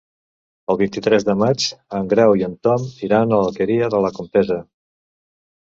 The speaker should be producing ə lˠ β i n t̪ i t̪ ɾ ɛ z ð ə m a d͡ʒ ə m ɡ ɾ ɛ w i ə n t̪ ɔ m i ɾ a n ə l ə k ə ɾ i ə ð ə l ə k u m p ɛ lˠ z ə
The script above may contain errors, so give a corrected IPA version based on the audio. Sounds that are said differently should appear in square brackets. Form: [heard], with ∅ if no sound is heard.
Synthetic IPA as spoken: ə lˠ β i n t̪ i t̪ ɾ ɛ z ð ə m a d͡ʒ ə [ŋ] ɡ ɾ ɛ w i ə n t̪ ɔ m i ɾ a n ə l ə k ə ɾ i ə ð ə l ə k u m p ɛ [∅] z ə